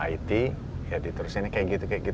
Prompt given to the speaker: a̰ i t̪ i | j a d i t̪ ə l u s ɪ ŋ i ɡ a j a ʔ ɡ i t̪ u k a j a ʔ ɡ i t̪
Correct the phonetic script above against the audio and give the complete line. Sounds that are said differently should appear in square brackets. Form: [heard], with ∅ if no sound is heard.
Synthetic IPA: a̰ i t̪ i | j a d i t̪ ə [ɾ] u s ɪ [n] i [k] a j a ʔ ɡ i t̪ u k a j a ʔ ɡ i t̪